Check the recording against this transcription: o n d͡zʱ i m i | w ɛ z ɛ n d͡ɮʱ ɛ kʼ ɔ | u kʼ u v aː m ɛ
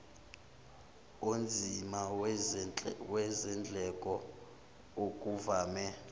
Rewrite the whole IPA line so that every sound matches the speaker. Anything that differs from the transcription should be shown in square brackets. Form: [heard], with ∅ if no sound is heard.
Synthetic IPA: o n d͡zʱ i m [a] | w ɛ z ɛ n d͡ɮʱ ɛ kʼ ɔ | [o] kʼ u v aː m ɛ